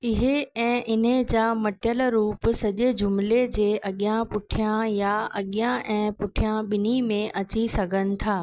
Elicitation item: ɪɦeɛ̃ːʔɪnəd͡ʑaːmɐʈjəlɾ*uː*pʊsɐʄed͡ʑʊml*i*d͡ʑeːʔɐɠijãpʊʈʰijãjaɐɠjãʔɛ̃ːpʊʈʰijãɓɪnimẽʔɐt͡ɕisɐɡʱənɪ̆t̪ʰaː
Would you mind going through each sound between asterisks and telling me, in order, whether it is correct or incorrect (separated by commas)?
correct, incorrect